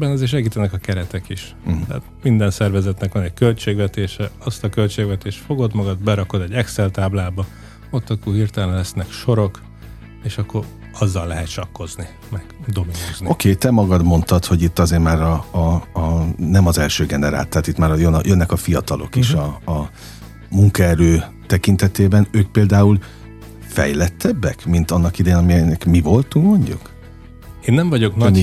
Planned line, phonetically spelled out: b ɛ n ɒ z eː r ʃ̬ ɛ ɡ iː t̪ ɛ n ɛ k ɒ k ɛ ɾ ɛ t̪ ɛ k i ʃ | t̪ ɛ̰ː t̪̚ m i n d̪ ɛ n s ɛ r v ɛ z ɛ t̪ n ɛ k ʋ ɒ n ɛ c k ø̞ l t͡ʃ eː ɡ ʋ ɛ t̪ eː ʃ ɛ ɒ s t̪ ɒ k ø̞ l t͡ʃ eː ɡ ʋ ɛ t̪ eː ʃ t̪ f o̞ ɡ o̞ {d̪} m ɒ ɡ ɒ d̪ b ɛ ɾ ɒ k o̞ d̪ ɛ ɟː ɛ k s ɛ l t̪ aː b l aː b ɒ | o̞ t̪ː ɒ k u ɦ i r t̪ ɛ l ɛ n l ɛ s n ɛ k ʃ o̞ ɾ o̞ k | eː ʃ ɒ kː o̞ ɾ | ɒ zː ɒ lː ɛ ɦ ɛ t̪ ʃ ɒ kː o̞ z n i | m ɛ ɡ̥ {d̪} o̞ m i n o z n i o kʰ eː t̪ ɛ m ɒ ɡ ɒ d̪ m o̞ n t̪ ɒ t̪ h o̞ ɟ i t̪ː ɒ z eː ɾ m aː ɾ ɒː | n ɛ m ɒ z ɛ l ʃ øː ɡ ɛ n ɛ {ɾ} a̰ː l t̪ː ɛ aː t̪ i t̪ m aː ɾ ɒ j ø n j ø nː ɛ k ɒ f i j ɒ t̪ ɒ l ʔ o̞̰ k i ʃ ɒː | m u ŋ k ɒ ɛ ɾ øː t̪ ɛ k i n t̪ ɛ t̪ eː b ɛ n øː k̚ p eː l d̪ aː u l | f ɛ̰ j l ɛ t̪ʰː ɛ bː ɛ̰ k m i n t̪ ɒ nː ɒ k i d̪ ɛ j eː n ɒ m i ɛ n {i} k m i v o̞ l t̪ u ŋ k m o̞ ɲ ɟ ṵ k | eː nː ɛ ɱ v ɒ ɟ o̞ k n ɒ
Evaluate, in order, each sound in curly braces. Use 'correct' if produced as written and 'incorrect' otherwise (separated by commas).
correct, correct, correct, incorrect